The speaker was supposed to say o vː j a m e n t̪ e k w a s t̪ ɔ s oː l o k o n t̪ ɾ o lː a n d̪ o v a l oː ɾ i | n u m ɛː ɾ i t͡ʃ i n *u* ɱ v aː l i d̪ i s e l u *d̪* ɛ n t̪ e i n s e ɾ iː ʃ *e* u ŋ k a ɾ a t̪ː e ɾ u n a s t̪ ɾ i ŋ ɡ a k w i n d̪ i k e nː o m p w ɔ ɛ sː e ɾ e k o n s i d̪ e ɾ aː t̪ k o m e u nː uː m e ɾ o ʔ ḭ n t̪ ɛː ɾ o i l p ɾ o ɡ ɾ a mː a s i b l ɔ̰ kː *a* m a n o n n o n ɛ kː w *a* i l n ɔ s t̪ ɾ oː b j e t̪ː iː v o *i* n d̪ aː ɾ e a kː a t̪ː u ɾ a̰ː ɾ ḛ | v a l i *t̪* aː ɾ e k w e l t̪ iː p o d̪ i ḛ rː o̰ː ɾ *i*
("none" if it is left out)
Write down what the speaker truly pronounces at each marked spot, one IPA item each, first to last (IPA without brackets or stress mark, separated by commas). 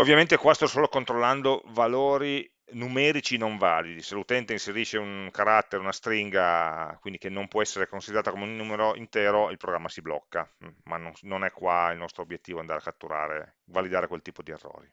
o, t̪, e, a, a, a, d̪, i